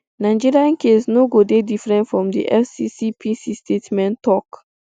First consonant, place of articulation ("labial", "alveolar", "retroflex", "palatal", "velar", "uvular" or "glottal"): alveolar